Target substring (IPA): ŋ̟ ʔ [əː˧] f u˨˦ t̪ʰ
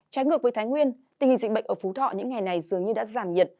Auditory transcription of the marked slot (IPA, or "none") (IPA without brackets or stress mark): əː˧˩